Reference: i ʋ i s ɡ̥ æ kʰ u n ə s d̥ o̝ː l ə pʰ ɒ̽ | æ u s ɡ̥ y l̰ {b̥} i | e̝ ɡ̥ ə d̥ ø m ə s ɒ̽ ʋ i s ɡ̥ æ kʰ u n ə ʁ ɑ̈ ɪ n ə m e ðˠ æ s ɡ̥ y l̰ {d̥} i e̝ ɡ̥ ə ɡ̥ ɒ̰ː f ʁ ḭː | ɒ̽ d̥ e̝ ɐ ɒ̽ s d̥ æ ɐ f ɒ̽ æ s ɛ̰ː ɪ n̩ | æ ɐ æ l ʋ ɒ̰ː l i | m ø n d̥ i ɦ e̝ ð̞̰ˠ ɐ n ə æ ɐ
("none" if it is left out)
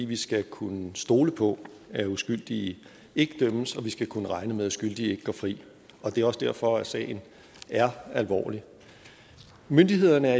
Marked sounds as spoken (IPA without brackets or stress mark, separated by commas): d̥, d̥